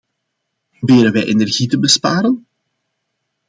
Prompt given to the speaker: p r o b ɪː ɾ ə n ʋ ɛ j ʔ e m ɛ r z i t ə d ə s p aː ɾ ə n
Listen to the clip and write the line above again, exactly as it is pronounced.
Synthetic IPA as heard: p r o b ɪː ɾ ə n ʋ ɛ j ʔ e n ɛ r ɣ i t ə b ə s p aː ɾ ə n